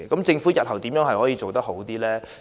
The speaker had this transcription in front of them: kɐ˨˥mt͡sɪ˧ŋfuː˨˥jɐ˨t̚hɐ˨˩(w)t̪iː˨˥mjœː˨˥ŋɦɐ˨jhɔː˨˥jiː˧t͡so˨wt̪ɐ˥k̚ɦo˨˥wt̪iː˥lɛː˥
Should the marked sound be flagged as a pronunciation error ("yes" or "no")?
no